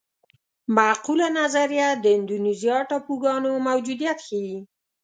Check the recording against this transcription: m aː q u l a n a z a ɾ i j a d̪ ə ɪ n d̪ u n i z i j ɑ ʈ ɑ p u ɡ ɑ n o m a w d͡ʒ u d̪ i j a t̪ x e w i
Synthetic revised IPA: m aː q u l a n a z a ɾ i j a d̪ ə ɪ n d̪ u n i z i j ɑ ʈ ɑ p u ɡ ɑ n o m a w d͡ʒ u d̪ i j a t̪ x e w i